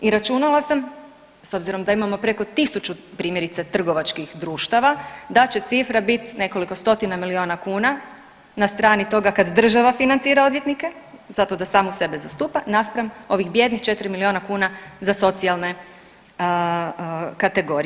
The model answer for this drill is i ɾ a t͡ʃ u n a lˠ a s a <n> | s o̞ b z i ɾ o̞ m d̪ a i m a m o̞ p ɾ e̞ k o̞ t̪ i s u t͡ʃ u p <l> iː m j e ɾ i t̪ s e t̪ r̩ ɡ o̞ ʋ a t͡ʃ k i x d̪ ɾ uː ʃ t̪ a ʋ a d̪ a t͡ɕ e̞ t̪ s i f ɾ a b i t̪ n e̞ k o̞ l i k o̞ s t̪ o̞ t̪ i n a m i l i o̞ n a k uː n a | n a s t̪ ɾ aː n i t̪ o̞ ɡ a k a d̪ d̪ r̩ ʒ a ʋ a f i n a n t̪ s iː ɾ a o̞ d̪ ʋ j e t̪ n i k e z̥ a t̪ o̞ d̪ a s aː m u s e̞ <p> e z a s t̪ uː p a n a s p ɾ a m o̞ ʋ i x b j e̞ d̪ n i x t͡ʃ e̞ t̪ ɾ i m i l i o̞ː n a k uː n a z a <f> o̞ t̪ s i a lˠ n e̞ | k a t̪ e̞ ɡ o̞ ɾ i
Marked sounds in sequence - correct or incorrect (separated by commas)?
incorrect, incorrect, incorrect, incorrect